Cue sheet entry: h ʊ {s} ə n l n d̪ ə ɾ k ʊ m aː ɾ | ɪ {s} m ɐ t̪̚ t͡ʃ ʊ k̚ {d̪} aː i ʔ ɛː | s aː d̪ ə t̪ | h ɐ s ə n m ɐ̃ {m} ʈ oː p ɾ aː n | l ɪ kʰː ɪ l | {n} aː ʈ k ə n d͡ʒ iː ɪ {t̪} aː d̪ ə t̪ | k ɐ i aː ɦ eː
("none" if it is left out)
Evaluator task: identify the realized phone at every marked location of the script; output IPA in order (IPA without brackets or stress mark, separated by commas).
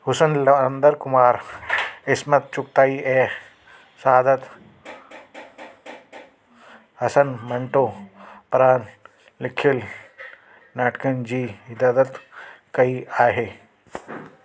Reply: s, s, t̪, ɳ, n, d̪